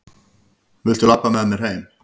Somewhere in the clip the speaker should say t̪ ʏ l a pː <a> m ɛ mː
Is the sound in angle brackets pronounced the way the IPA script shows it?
yes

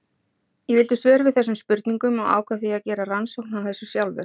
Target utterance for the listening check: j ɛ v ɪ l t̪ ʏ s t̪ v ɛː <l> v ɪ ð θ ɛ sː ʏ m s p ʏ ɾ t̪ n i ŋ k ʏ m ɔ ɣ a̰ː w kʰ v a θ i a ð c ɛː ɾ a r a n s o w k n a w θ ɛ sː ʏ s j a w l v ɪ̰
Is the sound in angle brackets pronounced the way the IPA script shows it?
no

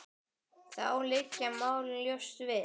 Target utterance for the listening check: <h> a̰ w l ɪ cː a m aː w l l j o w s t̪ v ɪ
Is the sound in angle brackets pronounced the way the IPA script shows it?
no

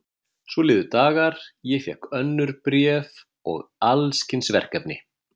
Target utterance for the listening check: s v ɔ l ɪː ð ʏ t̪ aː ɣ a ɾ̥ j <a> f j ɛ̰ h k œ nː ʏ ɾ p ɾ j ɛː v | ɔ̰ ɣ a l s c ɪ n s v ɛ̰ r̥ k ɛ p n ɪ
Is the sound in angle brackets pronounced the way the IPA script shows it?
no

